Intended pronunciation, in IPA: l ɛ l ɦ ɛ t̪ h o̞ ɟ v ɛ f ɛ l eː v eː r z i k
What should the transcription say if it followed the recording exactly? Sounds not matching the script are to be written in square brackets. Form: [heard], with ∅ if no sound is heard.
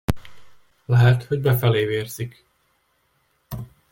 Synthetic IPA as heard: l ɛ [∅] ɦ ɛ t̪ h o̞ ɟ [b] ɛ f ɛ l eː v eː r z i k